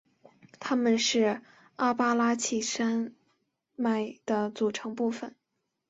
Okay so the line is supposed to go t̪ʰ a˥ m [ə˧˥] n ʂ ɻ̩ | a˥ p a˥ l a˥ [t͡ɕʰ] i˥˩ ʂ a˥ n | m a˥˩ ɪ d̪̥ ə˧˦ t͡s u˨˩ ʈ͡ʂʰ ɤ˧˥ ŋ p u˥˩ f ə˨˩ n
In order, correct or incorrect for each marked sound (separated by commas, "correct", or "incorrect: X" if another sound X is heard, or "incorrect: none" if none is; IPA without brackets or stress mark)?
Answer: incorrect: ə˨, correct